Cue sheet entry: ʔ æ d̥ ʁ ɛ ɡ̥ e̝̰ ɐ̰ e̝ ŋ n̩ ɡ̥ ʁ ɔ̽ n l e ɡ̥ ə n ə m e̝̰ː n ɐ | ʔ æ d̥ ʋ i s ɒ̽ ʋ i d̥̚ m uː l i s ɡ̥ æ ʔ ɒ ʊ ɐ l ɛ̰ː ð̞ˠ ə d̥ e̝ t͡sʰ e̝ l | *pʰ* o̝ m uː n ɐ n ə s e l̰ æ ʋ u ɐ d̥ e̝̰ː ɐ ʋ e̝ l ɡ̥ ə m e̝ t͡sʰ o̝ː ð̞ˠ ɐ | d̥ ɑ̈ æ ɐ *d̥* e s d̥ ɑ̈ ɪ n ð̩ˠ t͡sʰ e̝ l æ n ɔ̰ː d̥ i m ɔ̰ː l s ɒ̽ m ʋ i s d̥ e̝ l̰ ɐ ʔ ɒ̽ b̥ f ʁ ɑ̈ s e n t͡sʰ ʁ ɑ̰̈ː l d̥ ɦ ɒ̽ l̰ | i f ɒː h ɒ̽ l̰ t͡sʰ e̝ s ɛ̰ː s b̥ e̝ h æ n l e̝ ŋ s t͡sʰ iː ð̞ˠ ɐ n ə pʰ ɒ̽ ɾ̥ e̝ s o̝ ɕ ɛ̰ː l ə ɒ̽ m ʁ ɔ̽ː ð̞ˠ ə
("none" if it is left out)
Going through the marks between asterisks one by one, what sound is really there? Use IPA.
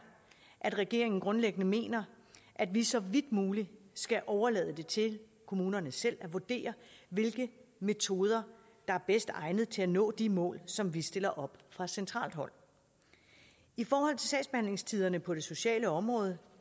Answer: kʰ, b̥

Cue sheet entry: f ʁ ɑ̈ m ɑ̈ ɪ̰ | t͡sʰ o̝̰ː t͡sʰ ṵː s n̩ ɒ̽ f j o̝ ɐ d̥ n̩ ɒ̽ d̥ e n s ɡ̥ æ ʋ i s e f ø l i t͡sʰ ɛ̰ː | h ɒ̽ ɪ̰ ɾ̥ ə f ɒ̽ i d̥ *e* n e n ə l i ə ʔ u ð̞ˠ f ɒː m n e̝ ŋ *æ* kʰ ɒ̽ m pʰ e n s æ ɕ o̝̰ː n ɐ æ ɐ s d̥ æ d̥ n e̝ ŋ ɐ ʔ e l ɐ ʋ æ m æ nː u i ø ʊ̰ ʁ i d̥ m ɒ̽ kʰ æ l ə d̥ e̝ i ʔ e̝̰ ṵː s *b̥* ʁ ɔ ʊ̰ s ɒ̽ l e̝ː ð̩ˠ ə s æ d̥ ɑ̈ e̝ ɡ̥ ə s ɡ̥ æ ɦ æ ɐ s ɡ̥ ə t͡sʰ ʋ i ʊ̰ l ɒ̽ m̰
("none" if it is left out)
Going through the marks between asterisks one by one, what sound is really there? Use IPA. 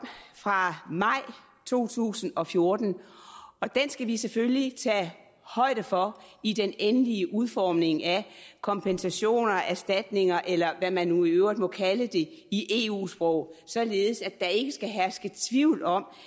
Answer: e, æ, b̥

